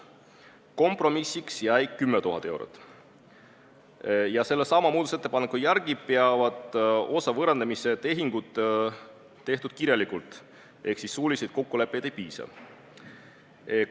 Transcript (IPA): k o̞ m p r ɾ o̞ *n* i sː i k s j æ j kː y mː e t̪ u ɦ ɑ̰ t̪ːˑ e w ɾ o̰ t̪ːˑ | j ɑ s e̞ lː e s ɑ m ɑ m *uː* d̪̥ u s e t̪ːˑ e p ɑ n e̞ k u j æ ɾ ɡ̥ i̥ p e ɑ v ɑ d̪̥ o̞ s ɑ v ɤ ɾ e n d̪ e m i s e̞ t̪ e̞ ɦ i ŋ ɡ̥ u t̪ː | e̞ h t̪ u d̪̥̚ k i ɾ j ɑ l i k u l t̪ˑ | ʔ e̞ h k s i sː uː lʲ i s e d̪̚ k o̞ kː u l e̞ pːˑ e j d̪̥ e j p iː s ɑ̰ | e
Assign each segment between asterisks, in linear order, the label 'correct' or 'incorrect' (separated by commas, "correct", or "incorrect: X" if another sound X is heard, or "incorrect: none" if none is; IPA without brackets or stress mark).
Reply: incorrect: m, correct